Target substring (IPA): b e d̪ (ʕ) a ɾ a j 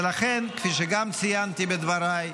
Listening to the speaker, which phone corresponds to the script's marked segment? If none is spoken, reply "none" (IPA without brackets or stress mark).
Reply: v